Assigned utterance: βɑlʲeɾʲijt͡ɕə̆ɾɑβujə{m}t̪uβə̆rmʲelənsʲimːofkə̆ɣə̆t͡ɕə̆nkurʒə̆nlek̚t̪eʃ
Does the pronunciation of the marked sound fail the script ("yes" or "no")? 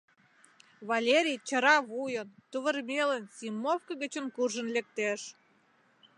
yes